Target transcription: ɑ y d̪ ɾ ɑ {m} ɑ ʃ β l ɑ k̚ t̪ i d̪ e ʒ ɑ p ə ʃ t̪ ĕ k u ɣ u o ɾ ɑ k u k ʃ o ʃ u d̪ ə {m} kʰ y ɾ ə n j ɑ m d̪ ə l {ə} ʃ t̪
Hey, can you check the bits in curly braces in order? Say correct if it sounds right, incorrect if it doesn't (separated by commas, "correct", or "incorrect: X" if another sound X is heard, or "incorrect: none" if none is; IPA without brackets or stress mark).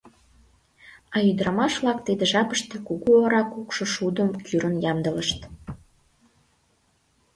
correct, correct, correct